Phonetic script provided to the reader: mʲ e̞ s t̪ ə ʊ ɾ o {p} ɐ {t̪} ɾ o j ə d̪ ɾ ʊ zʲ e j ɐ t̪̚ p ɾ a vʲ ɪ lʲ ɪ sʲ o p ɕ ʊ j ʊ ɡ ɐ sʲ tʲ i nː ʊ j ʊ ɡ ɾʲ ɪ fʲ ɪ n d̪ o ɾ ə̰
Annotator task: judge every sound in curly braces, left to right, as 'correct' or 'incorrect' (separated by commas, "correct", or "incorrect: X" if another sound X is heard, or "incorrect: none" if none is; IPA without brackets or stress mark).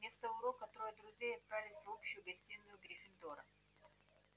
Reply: incorrect: k, correct